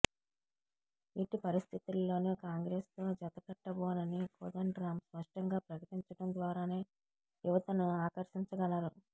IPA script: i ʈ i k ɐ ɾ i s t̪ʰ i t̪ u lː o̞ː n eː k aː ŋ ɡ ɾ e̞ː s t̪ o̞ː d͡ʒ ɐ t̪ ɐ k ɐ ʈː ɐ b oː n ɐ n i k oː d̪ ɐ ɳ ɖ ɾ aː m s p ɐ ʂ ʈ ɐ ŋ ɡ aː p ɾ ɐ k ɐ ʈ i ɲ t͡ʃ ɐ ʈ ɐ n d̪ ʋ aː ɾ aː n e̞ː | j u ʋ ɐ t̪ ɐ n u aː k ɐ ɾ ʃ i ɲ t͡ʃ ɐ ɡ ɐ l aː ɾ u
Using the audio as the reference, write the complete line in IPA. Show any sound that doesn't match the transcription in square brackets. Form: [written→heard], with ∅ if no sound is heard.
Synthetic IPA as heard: i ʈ i [k→p] ɐ ɾ i s t̪ʰ i t̪ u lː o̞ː n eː k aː ŋ ɡ ɾ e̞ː s t̪ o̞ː d͡ʒ ɐ t̪ ɐ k ɐ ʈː ɐ b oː n ɐ n i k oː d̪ ɐ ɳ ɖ ɾ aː m s p ɐ ʂ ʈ ɐ ŋ ɡ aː p ɾ ɐ k ɐ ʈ i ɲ t͡ʃ ɐ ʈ ɐ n d̪ ʋ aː ɾ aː n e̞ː | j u ʋ ɐ t̪ ɐ n u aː k ɐ ɾ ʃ i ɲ t͡ʃ ɐ ɡ ɐ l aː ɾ u